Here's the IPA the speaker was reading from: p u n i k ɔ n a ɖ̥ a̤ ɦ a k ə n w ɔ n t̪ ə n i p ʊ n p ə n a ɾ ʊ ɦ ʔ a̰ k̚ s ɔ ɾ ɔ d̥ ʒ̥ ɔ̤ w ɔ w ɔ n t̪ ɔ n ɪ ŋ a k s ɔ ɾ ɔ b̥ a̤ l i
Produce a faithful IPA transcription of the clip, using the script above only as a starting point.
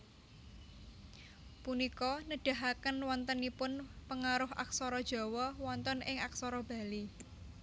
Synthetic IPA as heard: p u n i k ɔ n ə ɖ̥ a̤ ɦ a k ə n w ɔ n t̪ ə n i p ʊ n p ə ŋ a ɾ ʊ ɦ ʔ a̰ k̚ s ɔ ɾ ɔ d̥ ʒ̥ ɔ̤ w ɔ w ɔ n t̪ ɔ n ɪ ŋ a k s ɔ ɾ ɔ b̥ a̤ l i